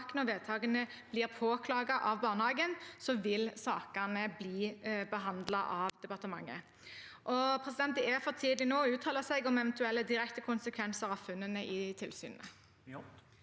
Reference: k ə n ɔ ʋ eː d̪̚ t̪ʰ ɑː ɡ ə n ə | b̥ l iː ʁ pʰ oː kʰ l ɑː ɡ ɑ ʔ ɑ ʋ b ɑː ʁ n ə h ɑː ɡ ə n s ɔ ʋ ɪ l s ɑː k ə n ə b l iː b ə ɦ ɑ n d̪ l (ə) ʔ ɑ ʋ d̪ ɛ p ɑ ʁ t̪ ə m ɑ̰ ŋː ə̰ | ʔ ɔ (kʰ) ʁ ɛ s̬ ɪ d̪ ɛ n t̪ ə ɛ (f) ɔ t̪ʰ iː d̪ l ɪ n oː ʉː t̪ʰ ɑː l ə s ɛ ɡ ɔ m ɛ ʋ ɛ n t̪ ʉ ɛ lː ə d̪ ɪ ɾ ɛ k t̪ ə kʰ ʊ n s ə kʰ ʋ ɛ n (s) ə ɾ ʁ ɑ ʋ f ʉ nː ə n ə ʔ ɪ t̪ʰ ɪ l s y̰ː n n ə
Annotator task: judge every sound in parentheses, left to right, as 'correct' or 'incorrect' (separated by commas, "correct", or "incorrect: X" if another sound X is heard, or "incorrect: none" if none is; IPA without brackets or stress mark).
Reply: incorrect: ɑ, incorrect: pʰ, correct, correct